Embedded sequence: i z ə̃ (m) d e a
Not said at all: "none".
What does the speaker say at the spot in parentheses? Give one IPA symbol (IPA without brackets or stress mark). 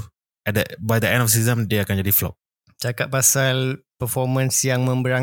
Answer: m